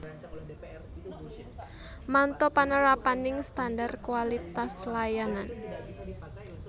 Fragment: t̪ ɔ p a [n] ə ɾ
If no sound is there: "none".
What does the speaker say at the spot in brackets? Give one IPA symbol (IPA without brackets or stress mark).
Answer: n